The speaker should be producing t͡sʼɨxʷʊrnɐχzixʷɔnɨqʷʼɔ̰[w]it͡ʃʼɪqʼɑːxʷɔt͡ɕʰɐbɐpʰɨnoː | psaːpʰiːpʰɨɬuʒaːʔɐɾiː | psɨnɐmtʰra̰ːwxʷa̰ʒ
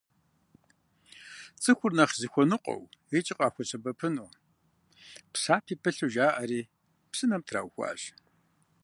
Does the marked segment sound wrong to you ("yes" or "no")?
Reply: no